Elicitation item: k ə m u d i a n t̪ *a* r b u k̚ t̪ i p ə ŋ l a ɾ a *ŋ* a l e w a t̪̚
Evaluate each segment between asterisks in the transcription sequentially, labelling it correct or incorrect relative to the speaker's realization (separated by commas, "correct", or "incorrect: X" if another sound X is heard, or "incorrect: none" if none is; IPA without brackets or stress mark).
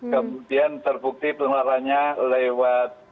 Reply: incorrect: ə, incorrect: ɲ